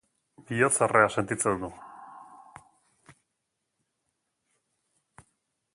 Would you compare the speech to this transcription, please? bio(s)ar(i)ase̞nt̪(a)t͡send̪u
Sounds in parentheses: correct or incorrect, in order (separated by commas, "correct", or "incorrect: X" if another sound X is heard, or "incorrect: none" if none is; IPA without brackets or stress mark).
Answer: incorrect: t͡s, incorrect: e, incorrect: i